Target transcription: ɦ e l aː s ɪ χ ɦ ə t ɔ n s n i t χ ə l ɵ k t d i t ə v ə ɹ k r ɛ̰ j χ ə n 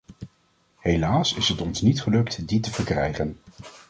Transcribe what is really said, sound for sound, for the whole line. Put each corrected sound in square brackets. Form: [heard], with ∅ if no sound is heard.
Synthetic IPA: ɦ e l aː s ɪ [s] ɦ ə t ɔ n s n i t χ ə l ɵ k t d i t ə v ə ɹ k r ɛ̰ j χ ə n